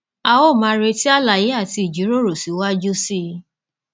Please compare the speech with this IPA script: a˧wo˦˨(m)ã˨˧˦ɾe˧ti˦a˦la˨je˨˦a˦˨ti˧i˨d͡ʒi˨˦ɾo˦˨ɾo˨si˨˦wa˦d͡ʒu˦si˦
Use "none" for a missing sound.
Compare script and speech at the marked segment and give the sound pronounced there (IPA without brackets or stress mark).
m